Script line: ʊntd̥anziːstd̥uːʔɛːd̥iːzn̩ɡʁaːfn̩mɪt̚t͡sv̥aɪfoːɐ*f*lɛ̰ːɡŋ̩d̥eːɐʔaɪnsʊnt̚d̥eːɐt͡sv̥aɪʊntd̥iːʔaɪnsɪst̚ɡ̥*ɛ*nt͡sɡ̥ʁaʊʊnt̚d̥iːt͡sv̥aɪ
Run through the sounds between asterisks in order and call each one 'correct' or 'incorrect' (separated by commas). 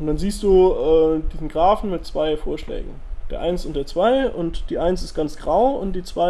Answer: incorrect, incorrect